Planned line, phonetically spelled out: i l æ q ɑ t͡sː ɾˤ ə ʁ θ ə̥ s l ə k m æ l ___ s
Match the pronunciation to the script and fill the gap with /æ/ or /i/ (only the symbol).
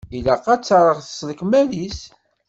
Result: i